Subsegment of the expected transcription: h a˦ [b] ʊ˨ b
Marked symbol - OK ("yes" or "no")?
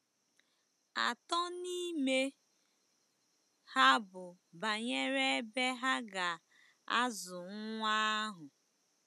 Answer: yes